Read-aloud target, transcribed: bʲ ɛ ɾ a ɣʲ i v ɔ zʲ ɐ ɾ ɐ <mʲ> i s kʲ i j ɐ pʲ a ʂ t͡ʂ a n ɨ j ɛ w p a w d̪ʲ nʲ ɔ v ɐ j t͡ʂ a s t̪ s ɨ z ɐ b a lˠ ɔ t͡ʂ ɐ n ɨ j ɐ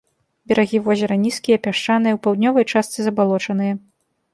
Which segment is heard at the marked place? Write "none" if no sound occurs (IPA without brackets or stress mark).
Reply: nʲ